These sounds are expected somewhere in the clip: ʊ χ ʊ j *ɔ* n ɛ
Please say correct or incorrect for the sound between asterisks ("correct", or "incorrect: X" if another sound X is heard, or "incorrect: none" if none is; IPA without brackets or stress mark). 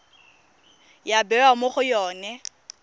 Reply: incorrect: ɔː